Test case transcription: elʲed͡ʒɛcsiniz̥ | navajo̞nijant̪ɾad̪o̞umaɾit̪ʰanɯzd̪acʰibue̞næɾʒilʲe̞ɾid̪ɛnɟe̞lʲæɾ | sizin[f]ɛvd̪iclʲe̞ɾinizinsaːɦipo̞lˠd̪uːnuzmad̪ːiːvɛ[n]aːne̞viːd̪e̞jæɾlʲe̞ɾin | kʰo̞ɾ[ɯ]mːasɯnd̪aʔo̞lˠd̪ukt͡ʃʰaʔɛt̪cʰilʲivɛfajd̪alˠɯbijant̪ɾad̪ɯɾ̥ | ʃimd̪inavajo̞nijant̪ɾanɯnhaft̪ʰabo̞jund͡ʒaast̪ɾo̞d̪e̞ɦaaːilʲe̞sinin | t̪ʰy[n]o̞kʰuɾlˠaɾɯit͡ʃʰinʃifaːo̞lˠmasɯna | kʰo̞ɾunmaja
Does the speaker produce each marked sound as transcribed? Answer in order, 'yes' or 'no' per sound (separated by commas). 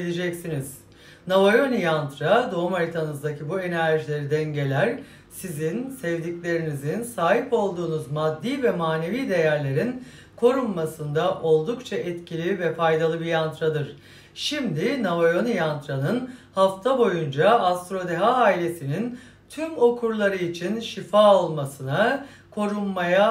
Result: no, no, no, no